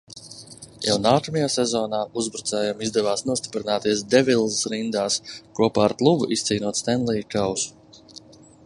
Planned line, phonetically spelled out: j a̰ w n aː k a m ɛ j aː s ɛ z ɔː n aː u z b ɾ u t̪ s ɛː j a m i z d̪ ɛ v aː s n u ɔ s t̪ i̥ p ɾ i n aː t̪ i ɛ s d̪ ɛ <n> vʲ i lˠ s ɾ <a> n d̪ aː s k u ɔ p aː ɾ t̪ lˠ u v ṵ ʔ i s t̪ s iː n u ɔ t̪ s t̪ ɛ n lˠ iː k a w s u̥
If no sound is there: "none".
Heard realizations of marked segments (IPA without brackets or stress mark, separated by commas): none, i